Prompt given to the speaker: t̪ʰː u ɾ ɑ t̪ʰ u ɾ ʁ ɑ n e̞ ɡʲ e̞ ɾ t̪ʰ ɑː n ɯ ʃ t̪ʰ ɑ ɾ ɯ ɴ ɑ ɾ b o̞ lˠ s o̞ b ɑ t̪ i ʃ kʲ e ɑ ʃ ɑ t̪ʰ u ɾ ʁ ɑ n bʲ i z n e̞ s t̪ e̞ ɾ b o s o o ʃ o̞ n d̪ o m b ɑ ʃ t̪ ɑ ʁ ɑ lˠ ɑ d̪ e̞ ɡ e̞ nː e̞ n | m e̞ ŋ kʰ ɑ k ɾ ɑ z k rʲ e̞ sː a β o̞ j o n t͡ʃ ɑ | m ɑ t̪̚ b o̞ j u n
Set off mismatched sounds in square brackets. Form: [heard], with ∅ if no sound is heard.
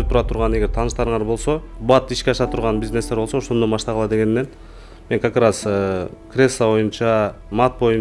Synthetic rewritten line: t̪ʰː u ɾ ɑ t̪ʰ u ɾ ʁ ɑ n e̞ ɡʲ e̞ ɾ t̪ʰ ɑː n ɯ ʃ [t̪] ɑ ɾ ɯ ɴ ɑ ɾ b o̞ lˠ s o̞ b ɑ t̪ i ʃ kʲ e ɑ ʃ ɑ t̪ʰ u ɾ ʁ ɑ n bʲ i z n e̞ s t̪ e̞ ɾ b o s o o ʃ o̞ n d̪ o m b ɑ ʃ t̪ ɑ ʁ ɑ lˠ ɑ d̪ e̞ ɡ e̞ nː e̞ n | m e̞ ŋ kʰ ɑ k ɾ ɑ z k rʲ e̞ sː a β o̞ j [u] n t͡ʃ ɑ | m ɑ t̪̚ b o̞ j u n

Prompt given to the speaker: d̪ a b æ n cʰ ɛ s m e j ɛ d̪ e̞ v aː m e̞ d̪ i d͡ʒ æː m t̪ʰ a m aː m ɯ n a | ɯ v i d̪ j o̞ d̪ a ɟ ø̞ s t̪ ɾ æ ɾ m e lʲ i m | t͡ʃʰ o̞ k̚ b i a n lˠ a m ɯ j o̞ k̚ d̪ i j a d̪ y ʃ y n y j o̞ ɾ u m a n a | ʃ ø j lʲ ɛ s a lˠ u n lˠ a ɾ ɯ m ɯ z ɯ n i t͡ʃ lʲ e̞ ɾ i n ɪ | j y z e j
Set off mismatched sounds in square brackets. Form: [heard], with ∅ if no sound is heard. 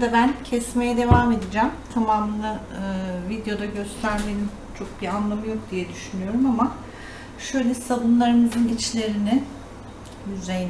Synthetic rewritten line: d̪ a b æ n cʰ ɛ s m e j ɛ d̪ e̞ v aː m e̞ d̪ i d͡ʒ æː m t̪ʰ a m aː m ɯ n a | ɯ v i d̪ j o̞ d̪ a ɟ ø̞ s t̪ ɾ æ ɾ m e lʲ i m | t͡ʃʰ o̞ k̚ b i a n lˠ a m ɯ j o̞ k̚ d̪ i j [ɛ] d̪ y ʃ y n y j o̞ ɾ u m a [m] a | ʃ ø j lʲ ɛ s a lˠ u n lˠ a ɾ ɯ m ɯ z ɯ n i t͡ʃ lʲ e̞ ɾ i n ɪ | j y z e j

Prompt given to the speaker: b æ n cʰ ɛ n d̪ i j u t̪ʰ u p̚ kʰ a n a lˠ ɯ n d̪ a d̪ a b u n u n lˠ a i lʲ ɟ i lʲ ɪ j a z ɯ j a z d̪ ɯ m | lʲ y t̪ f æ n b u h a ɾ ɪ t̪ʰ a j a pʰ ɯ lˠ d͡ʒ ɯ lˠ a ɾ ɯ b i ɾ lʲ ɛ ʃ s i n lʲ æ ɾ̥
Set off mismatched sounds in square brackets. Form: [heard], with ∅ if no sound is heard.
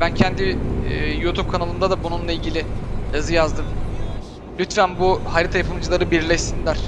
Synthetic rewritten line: b æ n cʰ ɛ n d̪ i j u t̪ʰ u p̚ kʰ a n a lˠ ɯ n d̪ a d̪ a b u n u n lˠ a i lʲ ɟ i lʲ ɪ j a z ɯ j a z d̪ ɯ m | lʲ y t̪ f æ n b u h a ɾ [i] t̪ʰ a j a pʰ ɯ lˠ d͡ʒ ɯ lˠ a ɾ ɯ b i ɾ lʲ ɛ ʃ s i n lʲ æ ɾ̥

